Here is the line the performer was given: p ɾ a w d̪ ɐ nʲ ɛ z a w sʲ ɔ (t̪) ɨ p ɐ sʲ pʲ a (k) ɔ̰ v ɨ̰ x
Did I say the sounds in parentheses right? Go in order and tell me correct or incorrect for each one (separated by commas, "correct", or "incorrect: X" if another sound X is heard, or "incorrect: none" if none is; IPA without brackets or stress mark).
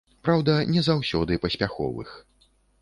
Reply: incorrect: d̪, incorrect: x